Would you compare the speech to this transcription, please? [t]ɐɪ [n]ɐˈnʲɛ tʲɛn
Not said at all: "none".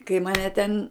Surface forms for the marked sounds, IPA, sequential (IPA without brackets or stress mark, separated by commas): k, m